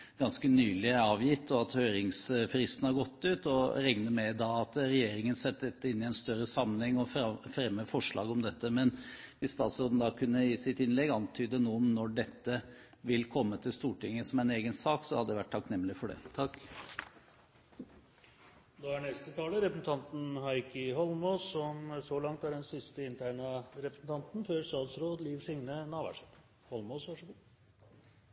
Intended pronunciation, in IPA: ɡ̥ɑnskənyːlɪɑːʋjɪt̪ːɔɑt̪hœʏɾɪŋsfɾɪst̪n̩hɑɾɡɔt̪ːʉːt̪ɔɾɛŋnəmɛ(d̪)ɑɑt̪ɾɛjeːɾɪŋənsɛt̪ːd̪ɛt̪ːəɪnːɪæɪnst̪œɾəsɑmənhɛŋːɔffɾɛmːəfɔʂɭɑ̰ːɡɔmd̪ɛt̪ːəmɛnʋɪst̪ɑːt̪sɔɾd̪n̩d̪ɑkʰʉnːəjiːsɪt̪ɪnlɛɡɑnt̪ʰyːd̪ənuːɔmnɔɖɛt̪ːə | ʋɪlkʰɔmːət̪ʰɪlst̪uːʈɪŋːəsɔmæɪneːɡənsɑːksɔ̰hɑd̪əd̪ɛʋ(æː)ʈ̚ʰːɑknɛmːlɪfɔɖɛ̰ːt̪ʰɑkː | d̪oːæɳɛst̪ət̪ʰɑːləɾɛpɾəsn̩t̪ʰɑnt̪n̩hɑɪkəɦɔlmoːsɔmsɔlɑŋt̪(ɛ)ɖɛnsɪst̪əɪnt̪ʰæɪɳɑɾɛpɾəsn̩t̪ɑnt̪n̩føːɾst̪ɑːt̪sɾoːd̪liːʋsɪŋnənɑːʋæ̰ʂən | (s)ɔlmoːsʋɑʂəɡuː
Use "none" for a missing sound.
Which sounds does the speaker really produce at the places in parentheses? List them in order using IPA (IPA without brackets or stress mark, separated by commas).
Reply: d̪, æ, æ, h